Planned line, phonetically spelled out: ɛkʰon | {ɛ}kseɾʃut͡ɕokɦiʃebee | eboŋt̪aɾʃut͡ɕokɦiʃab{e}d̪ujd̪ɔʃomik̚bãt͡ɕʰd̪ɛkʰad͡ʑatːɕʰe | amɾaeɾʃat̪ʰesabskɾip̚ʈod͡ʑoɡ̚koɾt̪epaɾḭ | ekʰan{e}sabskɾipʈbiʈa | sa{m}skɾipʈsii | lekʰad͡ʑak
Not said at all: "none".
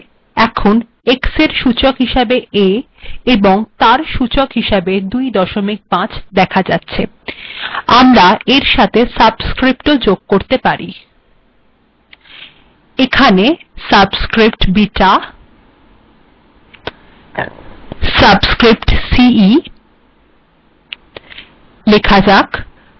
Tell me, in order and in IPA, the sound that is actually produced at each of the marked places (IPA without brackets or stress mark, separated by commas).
e, e, e, b